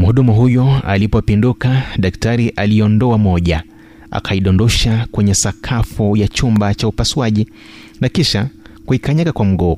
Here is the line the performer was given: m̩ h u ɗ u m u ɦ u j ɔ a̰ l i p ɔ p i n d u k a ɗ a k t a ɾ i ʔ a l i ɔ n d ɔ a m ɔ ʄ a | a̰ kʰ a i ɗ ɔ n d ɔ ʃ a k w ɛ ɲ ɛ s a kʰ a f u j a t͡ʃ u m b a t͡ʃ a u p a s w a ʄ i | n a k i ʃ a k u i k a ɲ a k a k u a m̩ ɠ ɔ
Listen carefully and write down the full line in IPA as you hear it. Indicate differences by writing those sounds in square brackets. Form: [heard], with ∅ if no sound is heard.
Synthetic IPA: m̩ h u ɗ u m u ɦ u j ɔ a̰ l i p ɔ p i n d u k a ɗ a k t a ɾ i ʔ a l i ɔ n d ɔ a m ɔ ʄ a | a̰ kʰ a i ɗ ɔ n d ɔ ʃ a k w ɛ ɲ ɛ s a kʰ a f u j a t͡ʃ u m b a t͡ʃ a u p a s w a ʄ i | n a k i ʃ a k u i k a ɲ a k a k [w] a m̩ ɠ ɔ